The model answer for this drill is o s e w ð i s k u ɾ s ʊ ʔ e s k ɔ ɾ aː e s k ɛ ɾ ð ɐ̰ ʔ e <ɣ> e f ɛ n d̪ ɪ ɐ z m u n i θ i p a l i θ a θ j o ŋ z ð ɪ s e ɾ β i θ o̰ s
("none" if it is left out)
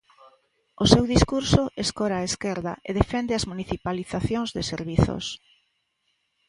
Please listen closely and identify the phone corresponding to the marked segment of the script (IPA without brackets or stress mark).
ð